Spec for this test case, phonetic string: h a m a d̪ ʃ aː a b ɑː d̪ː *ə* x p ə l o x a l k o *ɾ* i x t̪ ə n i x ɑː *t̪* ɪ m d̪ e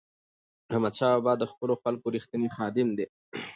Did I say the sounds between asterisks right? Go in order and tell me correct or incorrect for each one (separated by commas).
correct, correct, incorrect